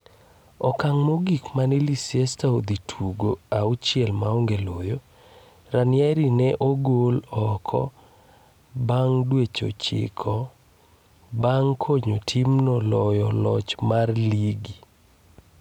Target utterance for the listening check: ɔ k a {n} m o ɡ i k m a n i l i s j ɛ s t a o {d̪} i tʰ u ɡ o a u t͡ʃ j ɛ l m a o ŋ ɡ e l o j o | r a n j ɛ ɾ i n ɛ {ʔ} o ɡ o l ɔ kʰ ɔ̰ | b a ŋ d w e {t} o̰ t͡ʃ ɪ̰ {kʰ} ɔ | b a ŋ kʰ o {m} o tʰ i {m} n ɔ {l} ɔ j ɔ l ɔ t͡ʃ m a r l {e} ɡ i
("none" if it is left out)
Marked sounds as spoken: ŋ, d̪, ʔ, t͡ʃ, kʰ, ɲ, m, l, i

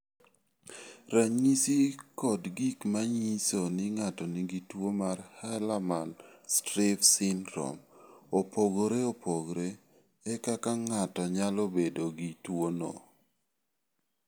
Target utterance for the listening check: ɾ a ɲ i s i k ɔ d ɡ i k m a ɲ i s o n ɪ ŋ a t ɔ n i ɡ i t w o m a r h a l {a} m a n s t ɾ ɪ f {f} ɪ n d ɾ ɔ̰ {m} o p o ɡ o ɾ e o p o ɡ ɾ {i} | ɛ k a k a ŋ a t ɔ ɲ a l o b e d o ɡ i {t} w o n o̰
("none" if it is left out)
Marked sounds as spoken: a, s, m, e, t

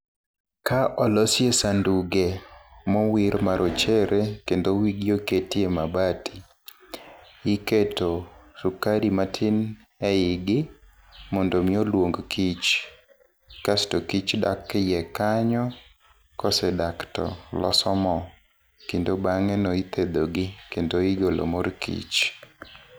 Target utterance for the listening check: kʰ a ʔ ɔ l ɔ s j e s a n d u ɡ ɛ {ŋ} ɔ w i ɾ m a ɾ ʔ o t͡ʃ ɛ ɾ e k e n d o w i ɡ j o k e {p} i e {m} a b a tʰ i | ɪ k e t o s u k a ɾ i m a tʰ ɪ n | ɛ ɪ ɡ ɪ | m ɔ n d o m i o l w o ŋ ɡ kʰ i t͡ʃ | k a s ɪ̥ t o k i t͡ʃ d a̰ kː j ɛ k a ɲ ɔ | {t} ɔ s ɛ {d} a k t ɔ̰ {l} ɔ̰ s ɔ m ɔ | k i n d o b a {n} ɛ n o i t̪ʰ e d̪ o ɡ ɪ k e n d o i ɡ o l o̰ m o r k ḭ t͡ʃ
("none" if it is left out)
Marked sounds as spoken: m, t, m, k, d, l, ŋ

